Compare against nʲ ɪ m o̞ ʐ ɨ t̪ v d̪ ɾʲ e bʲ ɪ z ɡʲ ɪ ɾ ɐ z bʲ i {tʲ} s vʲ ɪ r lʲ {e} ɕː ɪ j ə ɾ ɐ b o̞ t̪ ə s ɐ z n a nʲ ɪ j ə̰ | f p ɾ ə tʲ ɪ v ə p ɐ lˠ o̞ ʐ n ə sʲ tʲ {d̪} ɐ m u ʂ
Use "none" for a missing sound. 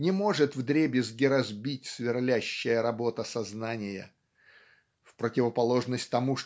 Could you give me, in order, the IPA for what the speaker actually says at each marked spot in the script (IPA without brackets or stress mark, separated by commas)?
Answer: tʲ, æ, t̪